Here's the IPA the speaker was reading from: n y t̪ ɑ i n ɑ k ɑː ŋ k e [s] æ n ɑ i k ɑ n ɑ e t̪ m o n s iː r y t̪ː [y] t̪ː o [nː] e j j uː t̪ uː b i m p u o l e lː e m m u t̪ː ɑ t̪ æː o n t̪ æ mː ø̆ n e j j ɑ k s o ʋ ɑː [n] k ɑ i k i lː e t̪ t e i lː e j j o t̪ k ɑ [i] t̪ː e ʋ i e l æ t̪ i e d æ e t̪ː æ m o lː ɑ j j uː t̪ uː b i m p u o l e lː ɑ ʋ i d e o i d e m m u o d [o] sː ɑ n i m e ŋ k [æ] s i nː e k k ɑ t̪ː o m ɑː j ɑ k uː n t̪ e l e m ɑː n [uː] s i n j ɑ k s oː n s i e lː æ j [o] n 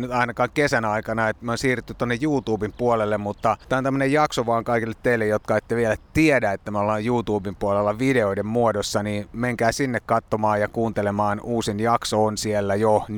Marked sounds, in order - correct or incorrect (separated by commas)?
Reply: correct, correct, correct, incorrect, incorrect, correct, incorrect, correct, correct